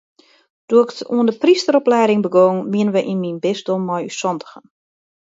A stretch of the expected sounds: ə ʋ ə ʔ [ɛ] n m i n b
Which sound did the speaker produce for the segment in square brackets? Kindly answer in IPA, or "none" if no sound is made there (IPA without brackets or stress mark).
i